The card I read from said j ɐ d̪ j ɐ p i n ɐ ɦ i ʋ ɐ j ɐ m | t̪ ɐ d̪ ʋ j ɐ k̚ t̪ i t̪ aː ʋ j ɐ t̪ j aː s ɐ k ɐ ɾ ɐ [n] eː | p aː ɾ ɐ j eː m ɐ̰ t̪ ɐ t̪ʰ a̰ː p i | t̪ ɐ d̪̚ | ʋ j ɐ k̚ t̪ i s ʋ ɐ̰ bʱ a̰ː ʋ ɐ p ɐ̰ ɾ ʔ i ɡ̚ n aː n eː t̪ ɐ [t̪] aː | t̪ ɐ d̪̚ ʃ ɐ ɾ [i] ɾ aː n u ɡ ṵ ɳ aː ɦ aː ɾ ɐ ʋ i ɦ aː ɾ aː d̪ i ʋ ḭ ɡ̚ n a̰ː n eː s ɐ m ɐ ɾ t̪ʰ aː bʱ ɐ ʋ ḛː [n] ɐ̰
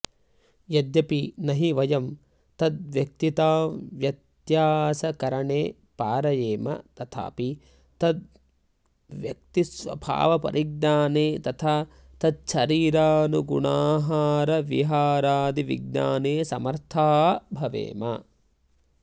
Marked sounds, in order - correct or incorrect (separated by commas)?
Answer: incorrect, incorrect, incorrect, incorrect